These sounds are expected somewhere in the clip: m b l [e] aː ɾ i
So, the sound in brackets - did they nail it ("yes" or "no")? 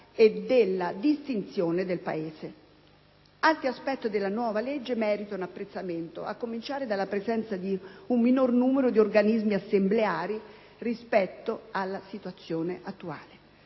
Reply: yes